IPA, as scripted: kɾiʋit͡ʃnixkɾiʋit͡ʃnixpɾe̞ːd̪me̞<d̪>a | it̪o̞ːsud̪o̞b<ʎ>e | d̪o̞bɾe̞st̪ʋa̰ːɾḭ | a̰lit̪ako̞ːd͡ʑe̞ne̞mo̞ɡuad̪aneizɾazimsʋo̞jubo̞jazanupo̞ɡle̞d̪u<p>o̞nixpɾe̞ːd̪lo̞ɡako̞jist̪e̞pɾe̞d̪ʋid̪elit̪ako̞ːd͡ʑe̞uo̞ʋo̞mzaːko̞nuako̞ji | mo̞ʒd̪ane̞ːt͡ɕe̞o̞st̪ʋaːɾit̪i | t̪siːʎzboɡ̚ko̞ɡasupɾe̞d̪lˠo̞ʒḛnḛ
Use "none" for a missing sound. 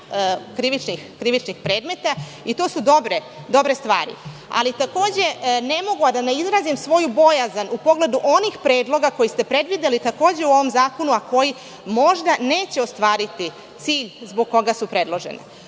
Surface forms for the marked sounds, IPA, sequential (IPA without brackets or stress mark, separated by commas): t̪, ɾ, ʔ